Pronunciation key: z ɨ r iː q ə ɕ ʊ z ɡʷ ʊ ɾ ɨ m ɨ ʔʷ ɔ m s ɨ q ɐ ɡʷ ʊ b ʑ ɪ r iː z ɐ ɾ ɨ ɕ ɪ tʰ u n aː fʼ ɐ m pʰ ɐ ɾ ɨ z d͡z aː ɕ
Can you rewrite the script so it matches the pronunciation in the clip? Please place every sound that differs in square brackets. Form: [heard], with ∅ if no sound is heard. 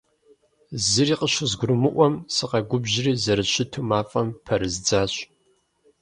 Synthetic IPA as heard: z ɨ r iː q ə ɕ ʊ z ɡʷ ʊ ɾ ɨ m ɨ ʔʷ ɔ m s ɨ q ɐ ɡʷ ʊ b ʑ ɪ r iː z ɐ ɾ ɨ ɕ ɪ tʰ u [m] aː fʼ ɐ m pʰ ɐ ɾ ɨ z d͡z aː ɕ